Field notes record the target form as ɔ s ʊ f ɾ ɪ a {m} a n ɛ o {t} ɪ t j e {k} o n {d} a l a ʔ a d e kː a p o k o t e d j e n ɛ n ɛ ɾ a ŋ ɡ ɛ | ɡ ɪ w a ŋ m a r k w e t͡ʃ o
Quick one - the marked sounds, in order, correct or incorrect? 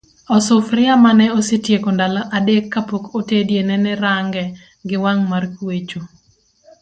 correct, incorrect: s, correct, correct

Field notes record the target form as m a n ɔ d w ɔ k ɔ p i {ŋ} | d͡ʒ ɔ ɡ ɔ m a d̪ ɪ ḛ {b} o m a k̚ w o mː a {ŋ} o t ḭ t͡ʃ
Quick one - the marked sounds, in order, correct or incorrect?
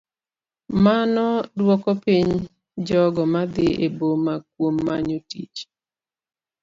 incorrect: ɲ, correct, incorrect: ɲ

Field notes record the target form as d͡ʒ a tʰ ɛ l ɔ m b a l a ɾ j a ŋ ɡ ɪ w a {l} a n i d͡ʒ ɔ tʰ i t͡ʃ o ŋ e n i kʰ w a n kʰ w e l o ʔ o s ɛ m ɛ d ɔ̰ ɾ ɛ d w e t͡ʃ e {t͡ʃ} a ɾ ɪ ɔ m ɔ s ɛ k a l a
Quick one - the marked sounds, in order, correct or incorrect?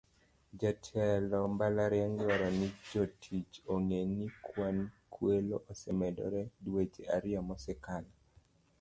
incorrect: ɾ, incorrect: none

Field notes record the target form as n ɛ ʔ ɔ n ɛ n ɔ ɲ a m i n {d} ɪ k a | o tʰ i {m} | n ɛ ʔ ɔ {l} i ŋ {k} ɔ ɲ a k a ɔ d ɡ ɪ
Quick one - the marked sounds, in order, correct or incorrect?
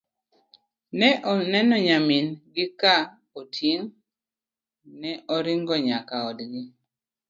incorrect: ɡ, incorrect: ŋ, incorrect: ɾ, incorrect: ɡ

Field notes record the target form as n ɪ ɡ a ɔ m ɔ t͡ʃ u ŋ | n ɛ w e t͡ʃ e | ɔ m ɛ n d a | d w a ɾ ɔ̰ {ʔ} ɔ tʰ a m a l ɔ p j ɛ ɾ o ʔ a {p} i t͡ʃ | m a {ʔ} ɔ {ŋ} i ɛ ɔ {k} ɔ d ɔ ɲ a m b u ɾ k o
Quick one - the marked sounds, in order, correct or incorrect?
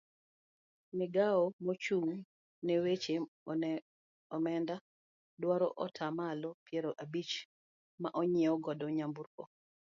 correct, incorrect: b, correct, incorrect: ɲ, incorrect: ɡ

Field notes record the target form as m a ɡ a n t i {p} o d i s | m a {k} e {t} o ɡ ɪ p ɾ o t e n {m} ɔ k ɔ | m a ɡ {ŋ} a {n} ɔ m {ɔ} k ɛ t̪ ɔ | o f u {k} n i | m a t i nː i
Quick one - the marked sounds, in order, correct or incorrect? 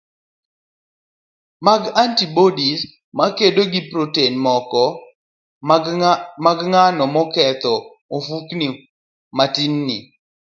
incorrect: b, correct, incorrect: d, correct, correct, correct, correct, correct

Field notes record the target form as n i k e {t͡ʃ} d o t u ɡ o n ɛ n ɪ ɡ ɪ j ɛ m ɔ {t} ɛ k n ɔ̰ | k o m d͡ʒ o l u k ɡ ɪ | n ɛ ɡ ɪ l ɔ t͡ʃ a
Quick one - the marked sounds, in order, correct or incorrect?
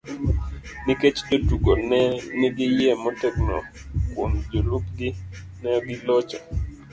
correct, correct

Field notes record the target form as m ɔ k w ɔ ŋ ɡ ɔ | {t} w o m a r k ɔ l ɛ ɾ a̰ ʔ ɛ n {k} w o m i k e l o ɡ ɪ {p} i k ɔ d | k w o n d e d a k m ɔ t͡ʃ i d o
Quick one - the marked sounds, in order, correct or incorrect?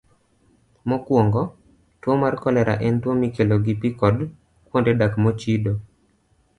correct, incorrect: t, correct

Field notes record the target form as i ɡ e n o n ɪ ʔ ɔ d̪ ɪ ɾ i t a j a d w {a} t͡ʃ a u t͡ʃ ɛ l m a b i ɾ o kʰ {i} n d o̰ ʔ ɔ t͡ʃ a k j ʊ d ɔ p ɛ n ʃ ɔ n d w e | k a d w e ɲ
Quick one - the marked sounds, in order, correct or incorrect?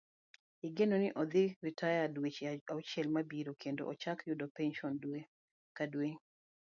incorrect: e, incorrect: e

